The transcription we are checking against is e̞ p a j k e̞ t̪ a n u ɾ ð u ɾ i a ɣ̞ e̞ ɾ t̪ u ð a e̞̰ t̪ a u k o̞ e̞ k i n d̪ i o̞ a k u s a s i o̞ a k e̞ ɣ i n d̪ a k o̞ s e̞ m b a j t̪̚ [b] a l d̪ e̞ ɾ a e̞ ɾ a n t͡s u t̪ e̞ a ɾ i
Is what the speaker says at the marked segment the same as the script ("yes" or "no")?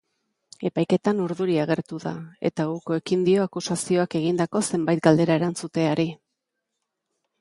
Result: no